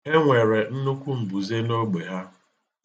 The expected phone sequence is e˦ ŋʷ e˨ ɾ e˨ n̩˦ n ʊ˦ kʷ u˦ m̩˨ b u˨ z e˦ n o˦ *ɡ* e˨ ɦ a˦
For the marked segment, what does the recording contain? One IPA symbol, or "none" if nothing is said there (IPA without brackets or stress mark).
ɡ͡b